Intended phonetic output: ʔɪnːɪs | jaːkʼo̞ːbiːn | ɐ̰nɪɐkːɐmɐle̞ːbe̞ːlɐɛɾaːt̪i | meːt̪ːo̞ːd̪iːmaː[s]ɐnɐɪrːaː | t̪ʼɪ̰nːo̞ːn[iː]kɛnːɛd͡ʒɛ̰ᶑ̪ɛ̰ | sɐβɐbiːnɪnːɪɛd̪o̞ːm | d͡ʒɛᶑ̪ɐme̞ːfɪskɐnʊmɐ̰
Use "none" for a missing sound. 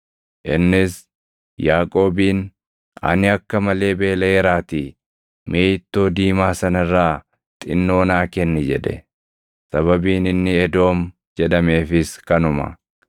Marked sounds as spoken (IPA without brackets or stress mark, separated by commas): s, aː